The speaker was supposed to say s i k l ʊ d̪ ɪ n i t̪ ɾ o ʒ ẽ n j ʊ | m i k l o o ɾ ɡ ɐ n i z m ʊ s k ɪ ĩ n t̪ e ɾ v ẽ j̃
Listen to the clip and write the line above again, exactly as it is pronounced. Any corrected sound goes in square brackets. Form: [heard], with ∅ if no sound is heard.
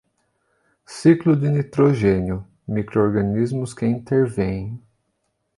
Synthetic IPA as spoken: s i k l ʊ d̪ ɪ n i t̪ ɾ o ʒ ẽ n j ʊ | m i k [ɾ] o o ɾ ɡ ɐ n i z m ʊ s k ɪ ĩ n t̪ e ɾ v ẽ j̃